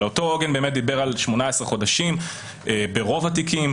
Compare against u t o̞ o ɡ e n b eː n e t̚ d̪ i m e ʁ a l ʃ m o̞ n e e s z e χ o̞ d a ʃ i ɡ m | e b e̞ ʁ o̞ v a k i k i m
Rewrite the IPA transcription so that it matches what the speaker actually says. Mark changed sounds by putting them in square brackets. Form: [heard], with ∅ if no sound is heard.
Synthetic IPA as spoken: [o] t o̞ o ɡ e n b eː [m] e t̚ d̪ i [b] e ʁ a l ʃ m o̞ n [a] e s [ʁ] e χ o̞ d a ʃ i [∅] m | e b e̞ ʁ o̞ v a [t] i k i m